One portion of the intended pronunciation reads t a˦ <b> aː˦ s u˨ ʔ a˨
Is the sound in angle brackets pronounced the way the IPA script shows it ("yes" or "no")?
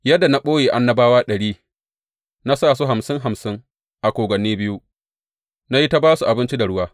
yes